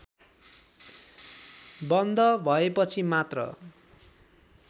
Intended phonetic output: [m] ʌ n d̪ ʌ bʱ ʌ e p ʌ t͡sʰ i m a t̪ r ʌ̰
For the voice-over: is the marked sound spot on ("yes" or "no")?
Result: no